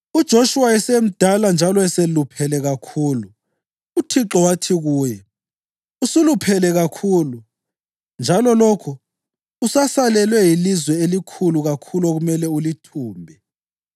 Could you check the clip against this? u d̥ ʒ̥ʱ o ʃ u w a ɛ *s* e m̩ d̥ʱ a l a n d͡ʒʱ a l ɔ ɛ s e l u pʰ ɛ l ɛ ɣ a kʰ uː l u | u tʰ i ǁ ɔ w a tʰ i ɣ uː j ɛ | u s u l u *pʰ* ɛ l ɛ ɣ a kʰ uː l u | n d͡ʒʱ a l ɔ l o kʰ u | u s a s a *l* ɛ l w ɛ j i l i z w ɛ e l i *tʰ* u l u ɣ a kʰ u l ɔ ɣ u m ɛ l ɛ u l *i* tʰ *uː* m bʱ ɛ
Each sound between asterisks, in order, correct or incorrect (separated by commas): correct, correct, correct, incorrect, correct, correct